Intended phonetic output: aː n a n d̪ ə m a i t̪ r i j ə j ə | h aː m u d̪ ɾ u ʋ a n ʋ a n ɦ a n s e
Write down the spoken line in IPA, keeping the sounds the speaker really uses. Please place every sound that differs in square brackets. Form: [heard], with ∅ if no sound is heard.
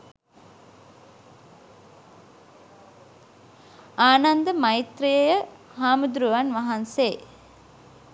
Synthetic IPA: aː n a n d̪ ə m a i t̪ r i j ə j ə | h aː m u d̪ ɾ u ʋ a n ʋ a [∅] ɦ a n s e